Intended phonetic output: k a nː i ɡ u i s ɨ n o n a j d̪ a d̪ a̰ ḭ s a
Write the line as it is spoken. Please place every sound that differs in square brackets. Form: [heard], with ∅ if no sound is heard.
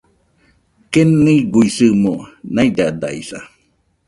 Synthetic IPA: k [e] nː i ɡ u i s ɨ [m] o n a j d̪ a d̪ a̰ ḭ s a